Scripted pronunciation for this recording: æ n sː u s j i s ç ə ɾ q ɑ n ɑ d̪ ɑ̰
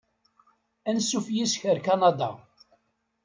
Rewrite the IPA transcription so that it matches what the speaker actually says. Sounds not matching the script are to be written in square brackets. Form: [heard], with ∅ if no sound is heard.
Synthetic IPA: æ n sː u [f] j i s ç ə ɾ [k] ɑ n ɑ d̪ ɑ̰